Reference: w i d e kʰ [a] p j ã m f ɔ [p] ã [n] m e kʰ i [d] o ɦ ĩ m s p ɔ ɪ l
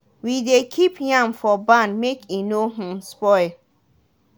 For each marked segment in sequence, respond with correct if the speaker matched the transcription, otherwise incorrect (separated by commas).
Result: incorrect, incorrect, correct, incorrect